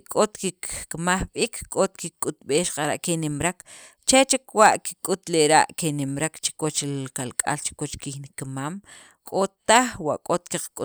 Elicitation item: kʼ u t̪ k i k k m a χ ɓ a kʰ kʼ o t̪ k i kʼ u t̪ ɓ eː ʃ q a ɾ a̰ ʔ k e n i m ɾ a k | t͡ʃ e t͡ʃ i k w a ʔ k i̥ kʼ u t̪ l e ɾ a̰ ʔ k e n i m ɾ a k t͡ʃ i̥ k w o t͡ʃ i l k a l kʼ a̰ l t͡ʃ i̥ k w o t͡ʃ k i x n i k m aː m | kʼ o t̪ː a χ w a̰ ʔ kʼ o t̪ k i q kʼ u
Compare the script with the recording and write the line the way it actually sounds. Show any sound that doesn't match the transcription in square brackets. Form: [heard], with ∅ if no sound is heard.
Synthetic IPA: kʼ [o] t̪ k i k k m a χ ɓ [i] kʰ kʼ o t̪ k i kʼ u t̪ ɓ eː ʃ q a ɾ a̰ ʔ k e n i m ɾ a k | t͡ʃ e t͡ʃ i k w a ʔ k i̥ kʼ u t̪ l e ɾ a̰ ʔ k e n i m ɾ a k t͡ʃ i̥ k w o t͡ʃ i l k a l kʼ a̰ l t͡ʃ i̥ k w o t͡ʃ k i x n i k m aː m | kʼ o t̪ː a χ w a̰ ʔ kʼ o t̪ k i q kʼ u